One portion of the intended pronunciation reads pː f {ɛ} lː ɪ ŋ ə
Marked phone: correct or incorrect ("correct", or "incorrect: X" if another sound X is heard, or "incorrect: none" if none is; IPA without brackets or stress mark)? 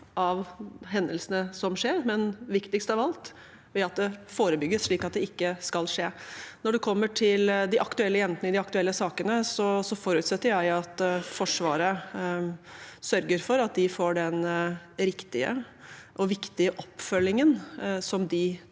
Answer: incorrect: œ